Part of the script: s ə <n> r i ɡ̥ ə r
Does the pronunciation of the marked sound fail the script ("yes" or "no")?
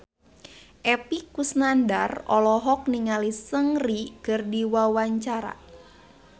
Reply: yes